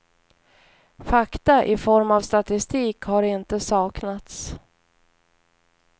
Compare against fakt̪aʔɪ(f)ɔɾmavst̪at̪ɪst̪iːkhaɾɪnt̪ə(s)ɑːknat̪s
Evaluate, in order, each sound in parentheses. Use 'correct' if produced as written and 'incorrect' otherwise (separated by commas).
correct, correct